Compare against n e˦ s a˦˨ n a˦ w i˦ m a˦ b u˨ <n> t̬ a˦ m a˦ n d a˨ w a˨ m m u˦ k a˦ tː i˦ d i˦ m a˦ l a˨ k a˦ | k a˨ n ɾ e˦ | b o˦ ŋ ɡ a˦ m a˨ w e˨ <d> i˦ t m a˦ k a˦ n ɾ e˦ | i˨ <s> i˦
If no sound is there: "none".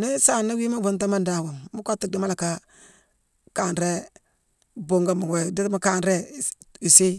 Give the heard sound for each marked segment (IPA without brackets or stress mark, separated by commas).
n, d, s